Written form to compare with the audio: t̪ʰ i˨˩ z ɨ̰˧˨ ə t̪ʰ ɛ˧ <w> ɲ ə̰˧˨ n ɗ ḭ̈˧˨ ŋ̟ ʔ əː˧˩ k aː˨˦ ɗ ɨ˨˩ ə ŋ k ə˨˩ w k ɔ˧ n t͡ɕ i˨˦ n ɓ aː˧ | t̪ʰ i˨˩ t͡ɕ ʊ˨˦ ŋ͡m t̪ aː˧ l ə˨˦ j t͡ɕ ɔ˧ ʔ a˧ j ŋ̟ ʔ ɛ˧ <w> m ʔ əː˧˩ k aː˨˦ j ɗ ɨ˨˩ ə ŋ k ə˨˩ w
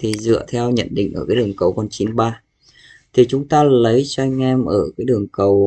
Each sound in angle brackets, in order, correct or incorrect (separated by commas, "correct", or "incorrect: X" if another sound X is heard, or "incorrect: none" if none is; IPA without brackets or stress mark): correct, incorrect: none